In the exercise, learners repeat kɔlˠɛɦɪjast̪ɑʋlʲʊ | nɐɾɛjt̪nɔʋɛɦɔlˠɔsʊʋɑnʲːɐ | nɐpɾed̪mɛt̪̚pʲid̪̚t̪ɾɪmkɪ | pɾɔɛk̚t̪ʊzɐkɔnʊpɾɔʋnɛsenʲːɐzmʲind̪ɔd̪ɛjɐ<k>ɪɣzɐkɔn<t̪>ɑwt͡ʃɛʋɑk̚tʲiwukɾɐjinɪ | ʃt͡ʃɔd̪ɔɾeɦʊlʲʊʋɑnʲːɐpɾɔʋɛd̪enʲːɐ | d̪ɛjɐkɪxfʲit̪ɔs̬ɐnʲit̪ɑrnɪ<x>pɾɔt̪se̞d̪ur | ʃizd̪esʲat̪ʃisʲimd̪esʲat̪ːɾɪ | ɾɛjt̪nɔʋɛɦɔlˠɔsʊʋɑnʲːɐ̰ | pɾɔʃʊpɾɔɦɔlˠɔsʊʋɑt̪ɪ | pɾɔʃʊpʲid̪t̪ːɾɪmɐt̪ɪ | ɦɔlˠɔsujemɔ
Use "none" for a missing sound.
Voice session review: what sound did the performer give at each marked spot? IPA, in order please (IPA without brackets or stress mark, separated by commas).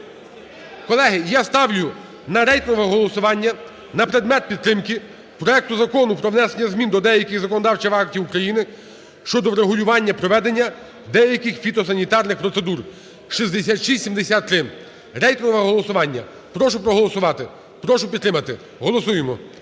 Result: k, d̪, x